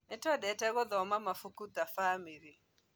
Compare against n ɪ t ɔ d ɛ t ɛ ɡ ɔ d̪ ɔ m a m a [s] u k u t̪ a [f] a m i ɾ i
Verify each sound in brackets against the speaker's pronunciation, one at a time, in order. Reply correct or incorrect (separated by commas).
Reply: incorrect, correct